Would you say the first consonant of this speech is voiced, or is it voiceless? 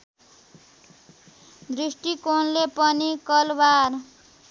voiced